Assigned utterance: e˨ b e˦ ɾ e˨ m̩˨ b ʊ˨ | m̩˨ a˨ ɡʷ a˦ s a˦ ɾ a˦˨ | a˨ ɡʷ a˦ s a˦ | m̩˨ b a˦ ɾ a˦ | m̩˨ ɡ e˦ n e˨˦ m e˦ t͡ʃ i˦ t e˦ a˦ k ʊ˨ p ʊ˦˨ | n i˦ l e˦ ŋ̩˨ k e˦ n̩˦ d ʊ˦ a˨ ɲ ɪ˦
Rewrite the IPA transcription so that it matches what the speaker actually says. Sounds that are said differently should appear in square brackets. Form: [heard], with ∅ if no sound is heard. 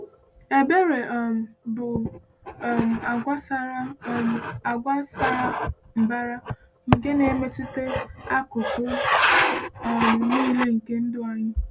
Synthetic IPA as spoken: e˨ b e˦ ɾ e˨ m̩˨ b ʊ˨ | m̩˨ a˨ ɡʷ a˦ s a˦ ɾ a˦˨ | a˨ ɡʷ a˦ s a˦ | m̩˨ b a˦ ɾ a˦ | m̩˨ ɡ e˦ n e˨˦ m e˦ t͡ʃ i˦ t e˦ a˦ k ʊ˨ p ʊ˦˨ | n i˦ l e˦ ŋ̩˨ k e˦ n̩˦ d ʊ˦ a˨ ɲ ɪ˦